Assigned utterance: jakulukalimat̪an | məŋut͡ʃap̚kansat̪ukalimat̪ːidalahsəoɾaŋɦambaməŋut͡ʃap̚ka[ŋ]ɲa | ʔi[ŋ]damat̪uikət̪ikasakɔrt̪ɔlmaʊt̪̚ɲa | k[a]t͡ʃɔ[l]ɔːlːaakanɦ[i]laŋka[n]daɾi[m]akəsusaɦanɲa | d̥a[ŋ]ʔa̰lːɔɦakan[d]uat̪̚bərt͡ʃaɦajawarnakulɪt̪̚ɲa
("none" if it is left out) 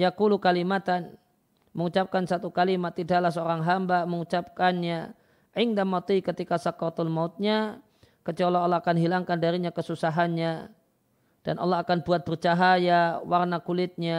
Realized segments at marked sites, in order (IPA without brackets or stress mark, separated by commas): n, ŋ, ə, l, i, n, ɲ, n, b